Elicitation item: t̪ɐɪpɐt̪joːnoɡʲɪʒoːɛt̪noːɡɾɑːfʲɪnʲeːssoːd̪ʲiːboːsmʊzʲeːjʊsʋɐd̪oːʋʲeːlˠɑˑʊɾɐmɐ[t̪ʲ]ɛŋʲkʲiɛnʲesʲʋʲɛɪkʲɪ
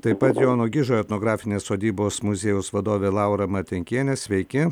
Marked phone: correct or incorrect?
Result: correct